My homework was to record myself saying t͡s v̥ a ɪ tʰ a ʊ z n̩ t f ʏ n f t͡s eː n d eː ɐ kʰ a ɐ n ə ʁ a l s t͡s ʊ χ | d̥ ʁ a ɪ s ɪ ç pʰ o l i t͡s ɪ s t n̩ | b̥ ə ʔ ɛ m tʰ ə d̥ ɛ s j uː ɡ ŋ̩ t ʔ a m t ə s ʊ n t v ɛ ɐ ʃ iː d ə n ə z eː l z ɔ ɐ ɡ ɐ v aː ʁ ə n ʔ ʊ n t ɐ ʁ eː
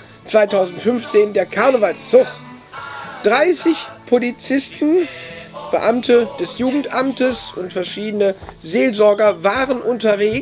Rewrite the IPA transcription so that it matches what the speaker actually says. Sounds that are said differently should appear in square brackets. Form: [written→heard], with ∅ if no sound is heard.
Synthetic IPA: t͡s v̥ a ɪ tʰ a ʊ z n̩ t f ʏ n f t͡s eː n d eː ɐ kʰ a ɐ n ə [ʁ→v] a l s t͡s ʊ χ | d̥ ʁ a ɪ s ɪ ç pʰ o l i t͡s ɪ s t n̩ | b̥ ə ʔ [ɛ→a] m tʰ ə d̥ ɛ s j uː ɡ ŋ̩ t ʔ a m t ə s ʊ n t [v→f] ɛ ɐ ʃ iː d ə n ə z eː l z ɔ ɐ ɡ ɐ v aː ʁ ə n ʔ ʊ n t ɐ [ʁ→v] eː

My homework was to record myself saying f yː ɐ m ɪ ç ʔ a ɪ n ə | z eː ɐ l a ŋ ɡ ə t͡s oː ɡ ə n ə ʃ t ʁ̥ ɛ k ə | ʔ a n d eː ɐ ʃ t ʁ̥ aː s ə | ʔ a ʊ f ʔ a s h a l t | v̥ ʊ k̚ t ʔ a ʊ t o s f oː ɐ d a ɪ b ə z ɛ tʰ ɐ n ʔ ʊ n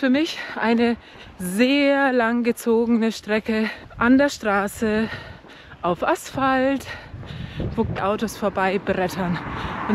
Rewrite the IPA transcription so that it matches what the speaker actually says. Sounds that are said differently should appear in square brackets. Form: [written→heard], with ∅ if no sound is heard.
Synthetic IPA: f yː ɐ m ɪ ç ʔ a ɪ n ə | z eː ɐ l a ŋ ɡ ə t͡s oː ɡ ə n ə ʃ t ʁ̥ ɛ k ə | ʔ a n d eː ɐ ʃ t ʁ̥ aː s ə | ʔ a ʊ f ʔ a s [h→f] a l t | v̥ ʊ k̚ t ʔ a ʊ t o s f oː ɐ [d→b] a ɪ b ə [z→ʁ] ɛ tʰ ɐ n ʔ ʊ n

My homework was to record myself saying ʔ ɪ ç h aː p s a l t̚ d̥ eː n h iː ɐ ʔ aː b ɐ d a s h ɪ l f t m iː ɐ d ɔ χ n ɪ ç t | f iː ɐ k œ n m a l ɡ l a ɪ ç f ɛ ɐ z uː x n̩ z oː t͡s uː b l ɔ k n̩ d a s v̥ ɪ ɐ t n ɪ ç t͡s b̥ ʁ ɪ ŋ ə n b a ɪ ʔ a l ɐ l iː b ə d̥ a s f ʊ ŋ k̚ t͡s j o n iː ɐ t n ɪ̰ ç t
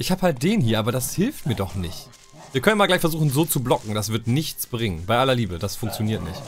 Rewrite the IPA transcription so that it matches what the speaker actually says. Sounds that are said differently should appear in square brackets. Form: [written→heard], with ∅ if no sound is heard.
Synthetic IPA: ʔ ɪ ç h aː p [s→h] a l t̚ d̥ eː n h iː ɐ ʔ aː b ɐ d a s h ɪ l f t m iː ɐ d ɔ χ n ɪ ç t | [f→v] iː ɐ k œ n m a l ɡ l a ɪ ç f ɛ ɐ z uː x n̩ z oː t͡s [uː→u] b l ɔ k [n̩→ŋ̩] d a s v̥ ɪ ɐ t n ɪ ç t͡s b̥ ʁ ɪ ŋ ə n b a ɪ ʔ a l ɐ l iː b ə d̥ a s f ʊ ŋ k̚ t͡s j o n iː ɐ t n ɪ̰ ç t

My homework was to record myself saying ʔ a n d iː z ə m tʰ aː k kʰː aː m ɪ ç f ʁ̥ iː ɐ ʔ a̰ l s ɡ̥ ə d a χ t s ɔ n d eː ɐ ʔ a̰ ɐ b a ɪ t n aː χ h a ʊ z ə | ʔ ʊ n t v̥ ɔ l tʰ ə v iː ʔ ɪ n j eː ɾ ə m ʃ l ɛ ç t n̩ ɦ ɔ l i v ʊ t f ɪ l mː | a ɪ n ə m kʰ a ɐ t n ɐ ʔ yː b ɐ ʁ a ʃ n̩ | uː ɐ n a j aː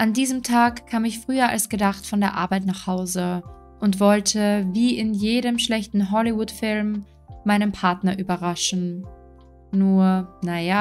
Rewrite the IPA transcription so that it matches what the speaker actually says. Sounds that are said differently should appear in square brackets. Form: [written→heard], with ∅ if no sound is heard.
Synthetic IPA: ʔ a n d iː z ə m tʰ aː k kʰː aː m ɪ ç f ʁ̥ [iː→yː] ɐ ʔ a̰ l s ɡ̥ ə d a χ t [s→f] ɔ n d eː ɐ ʔ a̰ ɐ b a ɪ t n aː χ h a ʊ z ə | ʔ ʊ n t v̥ ɔ l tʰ ə v iː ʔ ɪ n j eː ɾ ə m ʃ l ɛ ç t n̩ ɦ ɔ l i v ʊ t f ɪ l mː | a ɪ n ə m [kʰ→pʰ] a ɐ t n ɐ ʔ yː b ɐ ʁ a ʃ n̩ | uː ɐ n a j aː

